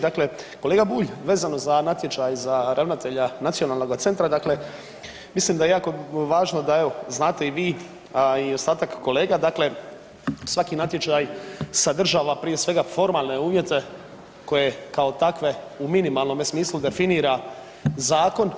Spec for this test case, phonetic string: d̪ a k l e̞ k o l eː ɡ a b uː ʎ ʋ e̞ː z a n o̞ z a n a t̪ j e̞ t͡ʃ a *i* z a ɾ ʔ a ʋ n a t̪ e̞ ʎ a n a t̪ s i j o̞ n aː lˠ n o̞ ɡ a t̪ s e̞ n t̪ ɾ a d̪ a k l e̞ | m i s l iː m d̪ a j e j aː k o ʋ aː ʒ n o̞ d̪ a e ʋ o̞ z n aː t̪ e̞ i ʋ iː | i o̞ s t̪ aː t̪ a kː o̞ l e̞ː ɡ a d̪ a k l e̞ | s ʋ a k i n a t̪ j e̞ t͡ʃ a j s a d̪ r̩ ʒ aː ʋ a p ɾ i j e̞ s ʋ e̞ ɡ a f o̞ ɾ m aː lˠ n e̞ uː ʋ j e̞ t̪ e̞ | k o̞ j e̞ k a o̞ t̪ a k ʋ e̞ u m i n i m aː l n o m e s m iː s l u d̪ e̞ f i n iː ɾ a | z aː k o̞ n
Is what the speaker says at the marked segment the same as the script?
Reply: no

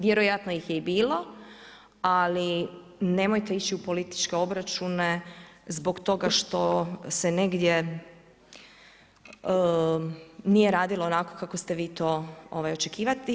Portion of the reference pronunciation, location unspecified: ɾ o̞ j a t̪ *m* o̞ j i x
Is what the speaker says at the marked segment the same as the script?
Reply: no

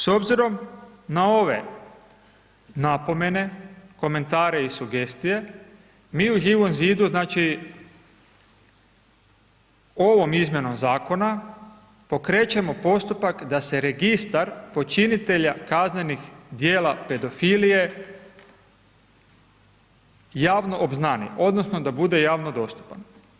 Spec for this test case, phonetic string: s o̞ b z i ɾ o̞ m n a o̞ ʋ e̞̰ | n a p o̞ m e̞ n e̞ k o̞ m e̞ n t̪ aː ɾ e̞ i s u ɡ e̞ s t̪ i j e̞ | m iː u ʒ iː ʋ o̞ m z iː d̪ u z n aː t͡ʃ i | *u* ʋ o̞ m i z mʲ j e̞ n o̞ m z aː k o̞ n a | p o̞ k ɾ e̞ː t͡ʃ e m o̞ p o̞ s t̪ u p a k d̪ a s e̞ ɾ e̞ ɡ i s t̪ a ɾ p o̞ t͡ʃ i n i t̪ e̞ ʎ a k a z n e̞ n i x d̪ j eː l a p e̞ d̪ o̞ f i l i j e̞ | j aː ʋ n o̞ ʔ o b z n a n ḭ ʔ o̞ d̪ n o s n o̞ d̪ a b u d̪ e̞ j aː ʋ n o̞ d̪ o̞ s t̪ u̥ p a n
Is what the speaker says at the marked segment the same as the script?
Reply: no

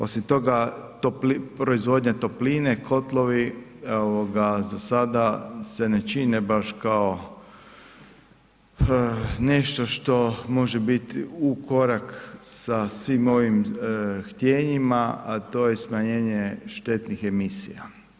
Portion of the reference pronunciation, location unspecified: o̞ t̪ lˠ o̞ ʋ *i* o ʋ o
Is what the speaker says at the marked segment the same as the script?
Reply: yes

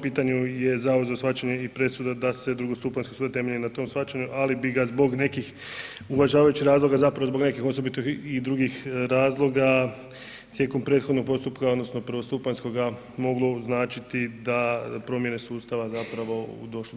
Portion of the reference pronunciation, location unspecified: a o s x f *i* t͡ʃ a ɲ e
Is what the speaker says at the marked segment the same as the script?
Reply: no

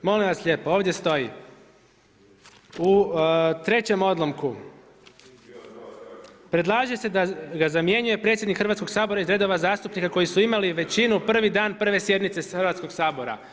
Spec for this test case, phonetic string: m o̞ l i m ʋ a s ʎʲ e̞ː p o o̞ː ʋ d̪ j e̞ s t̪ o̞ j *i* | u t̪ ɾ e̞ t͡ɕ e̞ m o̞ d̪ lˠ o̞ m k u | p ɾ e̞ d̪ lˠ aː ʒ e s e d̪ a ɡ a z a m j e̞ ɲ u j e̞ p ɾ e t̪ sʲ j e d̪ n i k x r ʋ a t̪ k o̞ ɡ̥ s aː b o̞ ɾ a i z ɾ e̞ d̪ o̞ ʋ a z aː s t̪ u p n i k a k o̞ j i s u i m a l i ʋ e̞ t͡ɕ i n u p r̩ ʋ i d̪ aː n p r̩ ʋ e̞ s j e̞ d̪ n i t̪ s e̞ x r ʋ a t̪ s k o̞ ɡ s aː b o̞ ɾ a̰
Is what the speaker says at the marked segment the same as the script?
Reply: yes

